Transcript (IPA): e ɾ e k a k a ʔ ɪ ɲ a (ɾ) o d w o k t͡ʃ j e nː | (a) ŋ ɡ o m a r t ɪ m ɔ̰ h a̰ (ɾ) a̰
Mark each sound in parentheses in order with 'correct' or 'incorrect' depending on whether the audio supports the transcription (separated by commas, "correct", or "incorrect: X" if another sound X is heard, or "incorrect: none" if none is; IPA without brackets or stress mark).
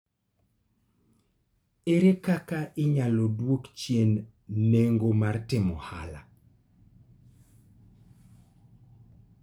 incorrect: l, incorrect: e, incorrect: l